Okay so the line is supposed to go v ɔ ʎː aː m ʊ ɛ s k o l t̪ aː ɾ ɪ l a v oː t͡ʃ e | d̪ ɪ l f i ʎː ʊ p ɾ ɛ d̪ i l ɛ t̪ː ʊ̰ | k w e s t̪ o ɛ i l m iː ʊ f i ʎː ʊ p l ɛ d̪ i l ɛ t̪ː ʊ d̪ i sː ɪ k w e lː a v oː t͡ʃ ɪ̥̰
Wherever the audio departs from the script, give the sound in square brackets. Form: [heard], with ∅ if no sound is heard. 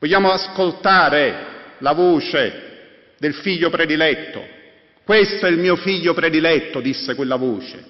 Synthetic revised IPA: v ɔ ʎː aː m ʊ [a] s k o l t̪ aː ɾ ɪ l a v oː t͡ʃ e | d̪ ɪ l f i ʎː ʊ p ɾ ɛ d̪ i l ɛ t̪ː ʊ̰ | k w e s t̪ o ɛ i l m iː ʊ f i ʎː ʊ p [ɾ] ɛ d̪ i l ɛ t̪ː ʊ d̪ i sː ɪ k w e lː a v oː t͡ʃ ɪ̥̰